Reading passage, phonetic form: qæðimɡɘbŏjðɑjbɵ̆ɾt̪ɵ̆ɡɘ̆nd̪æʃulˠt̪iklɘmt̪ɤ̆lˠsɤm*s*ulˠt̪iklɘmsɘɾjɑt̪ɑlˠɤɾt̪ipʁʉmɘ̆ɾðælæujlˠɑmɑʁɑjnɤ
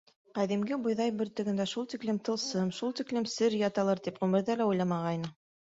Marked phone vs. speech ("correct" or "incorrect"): incorrect